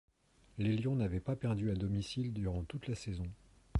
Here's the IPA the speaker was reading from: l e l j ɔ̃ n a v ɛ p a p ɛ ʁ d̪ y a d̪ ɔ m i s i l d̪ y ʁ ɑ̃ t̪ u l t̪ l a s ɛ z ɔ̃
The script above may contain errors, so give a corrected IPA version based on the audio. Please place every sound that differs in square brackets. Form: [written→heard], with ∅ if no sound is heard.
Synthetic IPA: l e l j ɔ̃ n a v ɛ p a p ɛ ʁ d̪ y a d̪ ɔ m i s i l d̪ y ʁ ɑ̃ t̪ u [l→∅] t̪ l a s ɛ z ɔ̃